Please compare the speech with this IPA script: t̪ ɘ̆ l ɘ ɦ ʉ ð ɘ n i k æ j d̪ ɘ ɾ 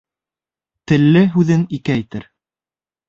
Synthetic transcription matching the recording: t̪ ɘ̆ lː ɘ ɦ ʉ ð ɘ n i k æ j t̪ ɘ ɾ